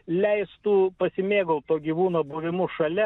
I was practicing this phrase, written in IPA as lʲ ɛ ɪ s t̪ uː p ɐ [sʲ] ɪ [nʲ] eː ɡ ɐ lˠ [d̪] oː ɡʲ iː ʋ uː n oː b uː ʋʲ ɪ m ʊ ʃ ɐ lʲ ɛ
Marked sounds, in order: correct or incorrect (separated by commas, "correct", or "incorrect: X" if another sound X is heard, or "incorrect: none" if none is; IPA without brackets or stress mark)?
correct, incorrect: mʲ, incorrect: t̪